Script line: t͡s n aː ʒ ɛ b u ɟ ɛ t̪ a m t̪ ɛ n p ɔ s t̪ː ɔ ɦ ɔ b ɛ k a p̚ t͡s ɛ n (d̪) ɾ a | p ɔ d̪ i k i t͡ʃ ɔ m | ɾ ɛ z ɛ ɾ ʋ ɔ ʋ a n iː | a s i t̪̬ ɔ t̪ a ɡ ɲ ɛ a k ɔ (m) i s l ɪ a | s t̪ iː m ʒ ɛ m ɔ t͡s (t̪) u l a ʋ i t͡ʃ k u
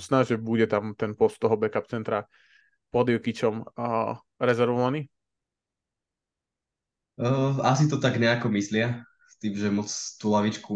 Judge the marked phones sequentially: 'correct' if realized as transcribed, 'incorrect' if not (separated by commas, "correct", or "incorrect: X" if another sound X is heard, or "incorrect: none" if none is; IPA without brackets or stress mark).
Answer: incorrect: t̪, correct, correct